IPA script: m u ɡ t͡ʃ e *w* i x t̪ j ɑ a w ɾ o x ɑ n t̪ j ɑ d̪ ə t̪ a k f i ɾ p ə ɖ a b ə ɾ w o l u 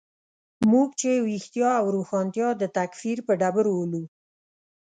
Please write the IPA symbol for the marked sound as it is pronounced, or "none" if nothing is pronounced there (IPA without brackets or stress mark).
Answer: w